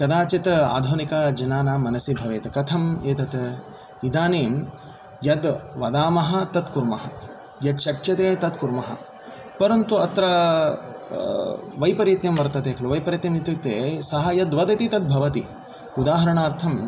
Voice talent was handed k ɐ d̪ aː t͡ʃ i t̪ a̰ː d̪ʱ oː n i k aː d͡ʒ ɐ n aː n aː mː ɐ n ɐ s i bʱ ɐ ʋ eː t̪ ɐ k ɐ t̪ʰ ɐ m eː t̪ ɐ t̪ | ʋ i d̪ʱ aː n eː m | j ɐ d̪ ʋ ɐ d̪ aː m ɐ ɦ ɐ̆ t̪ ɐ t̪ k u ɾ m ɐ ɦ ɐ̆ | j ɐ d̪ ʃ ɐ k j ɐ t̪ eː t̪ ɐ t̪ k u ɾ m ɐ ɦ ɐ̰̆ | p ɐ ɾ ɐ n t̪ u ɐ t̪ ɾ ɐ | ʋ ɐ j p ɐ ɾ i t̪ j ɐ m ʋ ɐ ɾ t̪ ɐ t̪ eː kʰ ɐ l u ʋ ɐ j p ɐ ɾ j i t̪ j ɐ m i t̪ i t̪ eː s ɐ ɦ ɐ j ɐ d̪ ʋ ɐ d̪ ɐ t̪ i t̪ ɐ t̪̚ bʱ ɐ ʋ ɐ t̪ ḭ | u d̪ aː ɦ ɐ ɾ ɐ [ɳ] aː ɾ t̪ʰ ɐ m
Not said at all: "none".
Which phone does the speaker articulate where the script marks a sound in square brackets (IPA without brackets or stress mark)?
ɳ